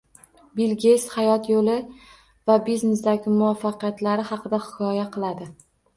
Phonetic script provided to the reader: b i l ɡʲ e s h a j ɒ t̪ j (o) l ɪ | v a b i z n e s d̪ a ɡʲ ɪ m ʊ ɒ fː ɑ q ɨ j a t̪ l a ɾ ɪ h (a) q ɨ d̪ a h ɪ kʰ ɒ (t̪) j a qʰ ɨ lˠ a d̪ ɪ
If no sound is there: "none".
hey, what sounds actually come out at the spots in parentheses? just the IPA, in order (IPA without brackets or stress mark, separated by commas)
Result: o, ɑ, none